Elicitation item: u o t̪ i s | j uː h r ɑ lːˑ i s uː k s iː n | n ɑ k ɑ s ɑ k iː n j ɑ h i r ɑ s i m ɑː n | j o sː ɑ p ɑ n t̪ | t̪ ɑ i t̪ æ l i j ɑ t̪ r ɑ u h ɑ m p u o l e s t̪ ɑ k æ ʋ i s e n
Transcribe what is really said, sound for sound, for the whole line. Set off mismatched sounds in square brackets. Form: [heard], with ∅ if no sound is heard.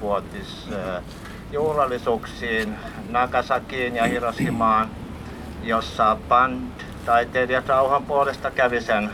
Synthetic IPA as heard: u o t̪ i s | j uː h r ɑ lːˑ i s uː k s iː n | n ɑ k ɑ s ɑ k iː n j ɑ h i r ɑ s i m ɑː n | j o sː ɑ p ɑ n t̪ | t̪ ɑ i t̪ [e] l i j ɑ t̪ r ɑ u h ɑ m p u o l e s t̪ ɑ k æ ʋ i s e n